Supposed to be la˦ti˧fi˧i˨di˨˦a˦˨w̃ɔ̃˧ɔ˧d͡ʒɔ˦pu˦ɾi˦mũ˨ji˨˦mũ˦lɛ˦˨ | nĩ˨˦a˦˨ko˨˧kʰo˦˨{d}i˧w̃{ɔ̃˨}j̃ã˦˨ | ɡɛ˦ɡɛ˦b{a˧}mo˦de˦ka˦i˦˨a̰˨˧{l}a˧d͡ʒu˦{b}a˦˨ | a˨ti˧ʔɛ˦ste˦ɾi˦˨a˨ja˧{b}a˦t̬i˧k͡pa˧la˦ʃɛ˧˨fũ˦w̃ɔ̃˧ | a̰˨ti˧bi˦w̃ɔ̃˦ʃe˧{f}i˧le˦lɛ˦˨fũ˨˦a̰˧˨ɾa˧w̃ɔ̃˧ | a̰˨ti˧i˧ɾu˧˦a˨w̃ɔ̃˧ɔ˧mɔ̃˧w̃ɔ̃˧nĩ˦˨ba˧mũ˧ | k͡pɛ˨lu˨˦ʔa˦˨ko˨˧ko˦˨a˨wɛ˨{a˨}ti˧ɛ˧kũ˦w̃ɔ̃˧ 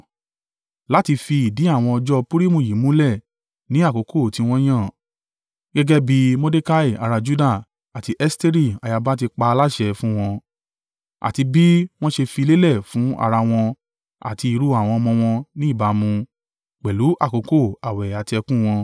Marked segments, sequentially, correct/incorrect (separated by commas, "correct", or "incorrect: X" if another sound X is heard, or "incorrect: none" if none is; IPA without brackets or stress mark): incorrect: t, incorrect: ɔ̃˦, incorrect: i˧, incorrect: ɾ, incorrect: d, correct, correct, correct